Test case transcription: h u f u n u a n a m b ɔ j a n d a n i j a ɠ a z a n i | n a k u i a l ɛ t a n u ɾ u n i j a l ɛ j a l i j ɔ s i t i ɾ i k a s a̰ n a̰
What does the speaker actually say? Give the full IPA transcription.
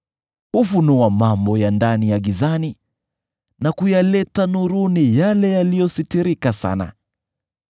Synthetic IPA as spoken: h u f u n u a m a m b ɔ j a n d a n i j a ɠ i z a n i | n a k u j a l ɛ t a n u ɾ u n i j a l ɛ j a l i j ɔ s i t i ɾ i k a s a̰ n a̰